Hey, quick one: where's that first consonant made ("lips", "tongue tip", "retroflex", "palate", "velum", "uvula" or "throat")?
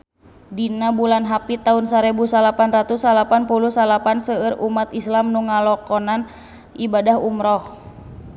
tongue tip